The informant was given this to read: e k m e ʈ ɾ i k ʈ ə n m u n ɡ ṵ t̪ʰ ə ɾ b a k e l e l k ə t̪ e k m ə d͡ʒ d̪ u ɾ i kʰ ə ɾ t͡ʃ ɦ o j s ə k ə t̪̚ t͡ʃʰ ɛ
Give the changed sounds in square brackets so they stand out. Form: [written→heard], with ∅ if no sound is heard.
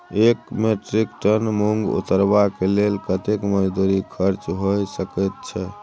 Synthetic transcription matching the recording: e k m e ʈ ɾ i k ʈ ə n m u [n→ŋ] ɡ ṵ [t̪ʰ→t̪] ə ɾ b a k e l e l k ə t̪ e k m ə d͡ʒ d̪ u ɾ i kʰ ə ɾ t͡ʃ ɦ o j s ə k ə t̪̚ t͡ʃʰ ɛ